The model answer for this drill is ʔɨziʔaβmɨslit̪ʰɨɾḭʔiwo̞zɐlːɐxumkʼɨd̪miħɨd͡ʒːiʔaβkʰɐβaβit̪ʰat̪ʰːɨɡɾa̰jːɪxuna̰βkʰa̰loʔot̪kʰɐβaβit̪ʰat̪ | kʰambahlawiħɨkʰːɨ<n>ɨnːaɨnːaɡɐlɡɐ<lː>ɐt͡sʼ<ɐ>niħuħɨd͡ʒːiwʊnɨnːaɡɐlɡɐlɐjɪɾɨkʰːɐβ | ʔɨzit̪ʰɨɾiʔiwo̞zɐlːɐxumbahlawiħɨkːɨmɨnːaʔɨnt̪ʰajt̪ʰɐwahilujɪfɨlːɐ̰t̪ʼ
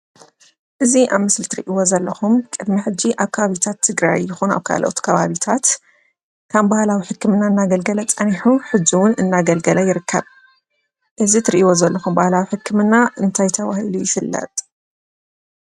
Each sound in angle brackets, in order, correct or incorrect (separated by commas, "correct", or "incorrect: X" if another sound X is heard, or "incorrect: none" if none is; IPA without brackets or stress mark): incorrect: m, incorrect: l, correct